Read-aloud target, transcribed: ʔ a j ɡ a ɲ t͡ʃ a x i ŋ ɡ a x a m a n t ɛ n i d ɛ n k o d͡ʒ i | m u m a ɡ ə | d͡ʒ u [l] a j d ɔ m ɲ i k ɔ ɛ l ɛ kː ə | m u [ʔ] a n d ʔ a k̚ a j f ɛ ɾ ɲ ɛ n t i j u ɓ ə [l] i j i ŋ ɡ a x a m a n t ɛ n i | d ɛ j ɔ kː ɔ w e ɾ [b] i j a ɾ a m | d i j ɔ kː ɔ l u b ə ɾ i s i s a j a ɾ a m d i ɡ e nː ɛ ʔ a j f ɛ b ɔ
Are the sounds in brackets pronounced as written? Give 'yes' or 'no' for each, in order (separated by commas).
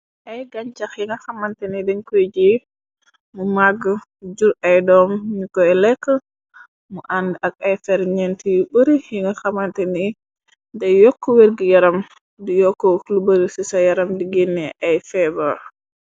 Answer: no, yes, no, no